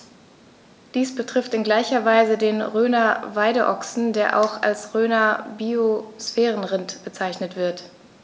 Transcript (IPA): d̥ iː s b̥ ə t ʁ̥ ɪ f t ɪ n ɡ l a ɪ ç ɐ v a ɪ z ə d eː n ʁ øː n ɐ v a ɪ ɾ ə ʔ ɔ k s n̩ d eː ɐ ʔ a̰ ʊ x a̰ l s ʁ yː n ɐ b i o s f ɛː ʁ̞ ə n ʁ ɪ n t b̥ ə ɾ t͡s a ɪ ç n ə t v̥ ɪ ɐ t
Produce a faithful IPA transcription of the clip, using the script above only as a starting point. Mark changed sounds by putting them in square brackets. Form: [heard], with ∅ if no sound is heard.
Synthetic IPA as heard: d̥ iː s b̥ ə t ʁ̥ ɪ f t ɪ n ɡ l a ɪ ç ɐ v a ɪ z ə d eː n ʁ øː n ɐ v a ɪ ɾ ə ʔ ɔ k s n̩ d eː ɐ ʔ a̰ ʊ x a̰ l s ʁ [øː] n ɐ b i o s f ɛː ʁ̞ ə n ʁ ɪ n t b̥ ə [∅] t͡s a ɪ ç n ə t v̥ ɪ ɐ t